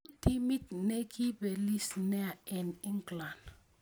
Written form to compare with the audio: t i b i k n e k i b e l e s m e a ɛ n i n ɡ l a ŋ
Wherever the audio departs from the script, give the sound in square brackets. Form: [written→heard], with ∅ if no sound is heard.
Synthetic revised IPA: t i [b→m] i [k→t] n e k i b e l [e→i] s [m→n] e a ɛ n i [n→ŋ] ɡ l a [ŋ→n]